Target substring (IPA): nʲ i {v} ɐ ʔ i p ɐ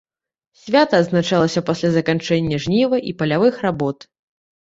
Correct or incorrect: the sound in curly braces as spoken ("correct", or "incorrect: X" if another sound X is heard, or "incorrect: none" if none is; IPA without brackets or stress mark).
correct